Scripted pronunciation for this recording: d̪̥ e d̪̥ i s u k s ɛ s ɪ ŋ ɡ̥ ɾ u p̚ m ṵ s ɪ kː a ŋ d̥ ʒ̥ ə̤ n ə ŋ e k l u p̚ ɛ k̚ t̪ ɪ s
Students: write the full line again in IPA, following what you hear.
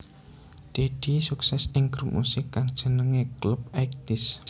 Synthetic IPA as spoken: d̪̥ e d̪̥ i s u k s ɛ s ɪ ŋ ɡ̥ ɾ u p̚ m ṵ s ɪ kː a ŋ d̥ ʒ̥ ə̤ n ə ŋ e k l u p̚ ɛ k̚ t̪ ɪ s